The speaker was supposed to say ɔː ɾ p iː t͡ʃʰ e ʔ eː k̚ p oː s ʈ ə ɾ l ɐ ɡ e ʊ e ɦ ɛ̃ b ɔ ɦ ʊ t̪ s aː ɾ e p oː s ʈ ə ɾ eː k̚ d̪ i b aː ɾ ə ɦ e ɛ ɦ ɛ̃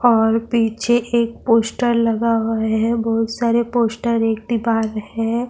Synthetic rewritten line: ɔː ɾ p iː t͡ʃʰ e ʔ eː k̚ p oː s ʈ ə ɾ l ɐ ɡ a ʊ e ɦ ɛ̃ b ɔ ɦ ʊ t̪ s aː ɾ e p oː s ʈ ə ɾ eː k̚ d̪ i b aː ɾ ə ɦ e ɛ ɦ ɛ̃